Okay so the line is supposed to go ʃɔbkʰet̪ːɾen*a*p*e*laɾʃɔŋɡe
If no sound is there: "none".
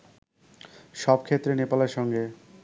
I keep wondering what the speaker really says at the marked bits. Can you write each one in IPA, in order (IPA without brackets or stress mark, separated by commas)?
e, a